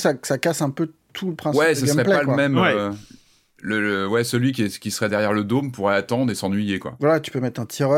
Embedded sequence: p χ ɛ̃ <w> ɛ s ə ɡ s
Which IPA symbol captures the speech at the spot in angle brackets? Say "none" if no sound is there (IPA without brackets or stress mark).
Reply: w